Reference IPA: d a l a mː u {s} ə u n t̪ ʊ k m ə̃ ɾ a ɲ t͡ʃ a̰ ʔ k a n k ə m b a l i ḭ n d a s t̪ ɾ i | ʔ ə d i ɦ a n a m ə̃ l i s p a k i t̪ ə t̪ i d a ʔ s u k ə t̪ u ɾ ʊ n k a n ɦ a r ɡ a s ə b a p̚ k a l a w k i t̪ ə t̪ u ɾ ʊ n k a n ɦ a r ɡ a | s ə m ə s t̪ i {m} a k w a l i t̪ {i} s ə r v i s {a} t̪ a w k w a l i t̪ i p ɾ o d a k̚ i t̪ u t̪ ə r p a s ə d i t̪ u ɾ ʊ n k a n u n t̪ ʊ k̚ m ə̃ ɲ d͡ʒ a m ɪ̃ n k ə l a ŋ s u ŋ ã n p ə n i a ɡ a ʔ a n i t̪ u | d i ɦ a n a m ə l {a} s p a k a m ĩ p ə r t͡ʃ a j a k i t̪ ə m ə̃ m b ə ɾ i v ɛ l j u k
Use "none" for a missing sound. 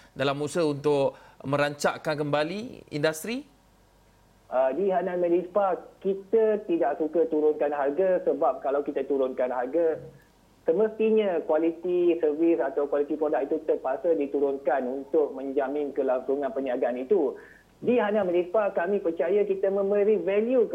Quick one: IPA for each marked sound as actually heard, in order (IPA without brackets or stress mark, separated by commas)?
s, ɲ, i, a, i